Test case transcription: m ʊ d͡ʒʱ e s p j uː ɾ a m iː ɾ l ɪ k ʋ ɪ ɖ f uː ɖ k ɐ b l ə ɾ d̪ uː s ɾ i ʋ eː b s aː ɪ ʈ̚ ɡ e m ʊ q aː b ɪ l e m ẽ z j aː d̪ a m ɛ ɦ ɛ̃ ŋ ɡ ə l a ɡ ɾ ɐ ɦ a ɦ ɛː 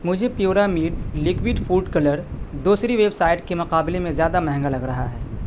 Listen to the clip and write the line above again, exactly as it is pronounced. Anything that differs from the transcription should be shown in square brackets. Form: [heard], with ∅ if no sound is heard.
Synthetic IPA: m ʊ d͡ʒʱ e [∅] p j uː ɾ a m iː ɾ l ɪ k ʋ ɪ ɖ f uː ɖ k ɐ [∅] l ə ɾ d̪ uː s ɾ i ʋ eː b s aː ɪ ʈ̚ [k] e m ʊ q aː b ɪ l e m ẽ z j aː d̪ a m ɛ ɦ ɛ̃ ŋ ɡ [a] l [ɐ] ɡ ɾ ɐ ɦ a ɦ ɛː